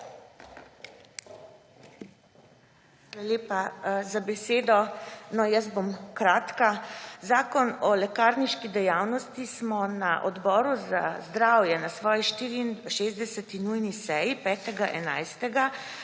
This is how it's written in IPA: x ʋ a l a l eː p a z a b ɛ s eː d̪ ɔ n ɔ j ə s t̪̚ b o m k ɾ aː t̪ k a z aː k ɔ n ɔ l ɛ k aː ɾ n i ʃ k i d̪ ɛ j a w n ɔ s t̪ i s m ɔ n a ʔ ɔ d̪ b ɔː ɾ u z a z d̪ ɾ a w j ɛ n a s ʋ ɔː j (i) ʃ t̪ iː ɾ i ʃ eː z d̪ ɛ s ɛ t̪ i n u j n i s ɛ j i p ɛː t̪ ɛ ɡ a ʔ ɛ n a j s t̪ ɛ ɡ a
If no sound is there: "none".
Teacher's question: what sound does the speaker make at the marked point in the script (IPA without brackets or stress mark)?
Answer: i